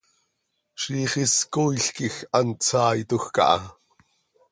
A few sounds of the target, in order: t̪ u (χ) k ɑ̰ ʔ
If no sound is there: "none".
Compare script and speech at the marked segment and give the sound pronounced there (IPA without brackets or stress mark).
x